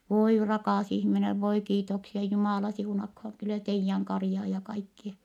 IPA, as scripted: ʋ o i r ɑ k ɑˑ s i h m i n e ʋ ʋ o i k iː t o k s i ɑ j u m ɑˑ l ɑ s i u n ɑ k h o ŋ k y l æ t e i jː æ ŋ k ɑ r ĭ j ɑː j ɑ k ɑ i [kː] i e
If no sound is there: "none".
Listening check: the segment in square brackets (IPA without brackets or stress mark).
kː